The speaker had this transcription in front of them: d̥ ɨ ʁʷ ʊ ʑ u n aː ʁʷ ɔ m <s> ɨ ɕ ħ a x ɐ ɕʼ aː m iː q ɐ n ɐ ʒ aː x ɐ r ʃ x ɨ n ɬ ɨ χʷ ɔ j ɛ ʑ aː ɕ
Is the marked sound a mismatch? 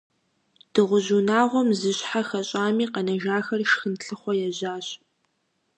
yes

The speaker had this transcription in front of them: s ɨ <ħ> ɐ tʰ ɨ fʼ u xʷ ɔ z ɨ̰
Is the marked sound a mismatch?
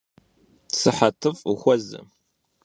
no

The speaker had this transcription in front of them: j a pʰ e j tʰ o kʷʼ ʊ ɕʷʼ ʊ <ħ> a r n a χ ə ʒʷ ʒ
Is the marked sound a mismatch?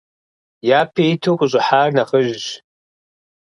no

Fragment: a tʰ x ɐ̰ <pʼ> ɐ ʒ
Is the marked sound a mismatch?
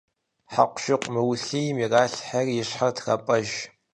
no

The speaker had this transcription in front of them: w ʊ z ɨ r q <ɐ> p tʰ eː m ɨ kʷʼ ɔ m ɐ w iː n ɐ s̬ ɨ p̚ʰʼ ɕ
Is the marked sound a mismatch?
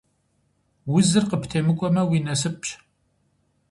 yes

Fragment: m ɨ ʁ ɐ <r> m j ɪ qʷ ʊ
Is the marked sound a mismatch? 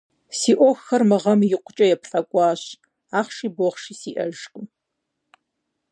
yes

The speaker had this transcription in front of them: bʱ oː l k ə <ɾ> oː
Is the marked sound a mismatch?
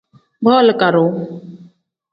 no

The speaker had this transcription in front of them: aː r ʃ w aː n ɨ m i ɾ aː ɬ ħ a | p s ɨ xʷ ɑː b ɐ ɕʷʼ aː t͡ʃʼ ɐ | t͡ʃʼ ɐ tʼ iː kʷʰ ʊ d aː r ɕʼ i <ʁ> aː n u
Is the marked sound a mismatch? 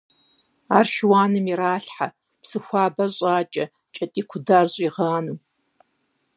no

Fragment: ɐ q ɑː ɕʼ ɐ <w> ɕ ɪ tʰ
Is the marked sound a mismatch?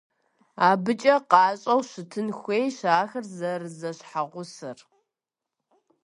no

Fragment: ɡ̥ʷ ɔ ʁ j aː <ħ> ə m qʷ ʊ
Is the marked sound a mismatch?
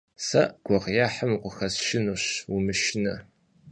no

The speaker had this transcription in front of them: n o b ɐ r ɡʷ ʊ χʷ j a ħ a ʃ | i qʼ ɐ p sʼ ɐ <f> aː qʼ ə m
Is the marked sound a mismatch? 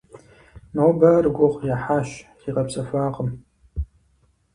no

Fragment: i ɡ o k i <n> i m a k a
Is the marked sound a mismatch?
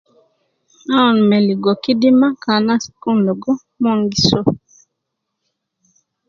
yes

